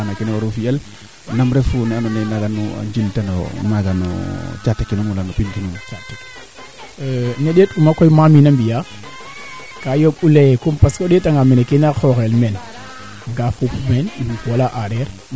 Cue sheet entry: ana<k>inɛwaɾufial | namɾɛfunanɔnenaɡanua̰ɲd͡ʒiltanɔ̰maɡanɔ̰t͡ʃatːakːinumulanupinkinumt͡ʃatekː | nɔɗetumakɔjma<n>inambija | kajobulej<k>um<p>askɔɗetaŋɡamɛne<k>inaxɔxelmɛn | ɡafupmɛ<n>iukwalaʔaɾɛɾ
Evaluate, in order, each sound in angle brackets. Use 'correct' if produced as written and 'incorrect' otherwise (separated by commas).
correct, incorrect, correct, correct, correct, correct